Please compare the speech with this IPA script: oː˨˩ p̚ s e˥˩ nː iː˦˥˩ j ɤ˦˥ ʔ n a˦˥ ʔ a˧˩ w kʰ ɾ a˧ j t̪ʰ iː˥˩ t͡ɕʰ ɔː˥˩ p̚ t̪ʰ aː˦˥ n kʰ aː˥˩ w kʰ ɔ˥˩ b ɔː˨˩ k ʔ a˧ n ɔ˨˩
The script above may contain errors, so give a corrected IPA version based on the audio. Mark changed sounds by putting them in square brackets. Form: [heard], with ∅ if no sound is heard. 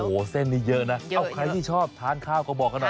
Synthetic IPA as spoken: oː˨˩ [∅] s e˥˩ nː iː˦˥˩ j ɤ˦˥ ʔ n a˦˥ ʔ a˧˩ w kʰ ɾ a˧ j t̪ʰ iː˥˩ t͡ɕʰ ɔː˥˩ p̚ t̪ʰ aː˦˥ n kʰ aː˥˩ w [k] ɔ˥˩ b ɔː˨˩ k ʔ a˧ n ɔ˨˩